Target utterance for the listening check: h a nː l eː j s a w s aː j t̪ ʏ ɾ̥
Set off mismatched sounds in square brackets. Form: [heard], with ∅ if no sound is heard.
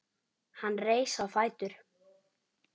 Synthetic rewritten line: h a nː [r] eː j s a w [f] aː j t̪ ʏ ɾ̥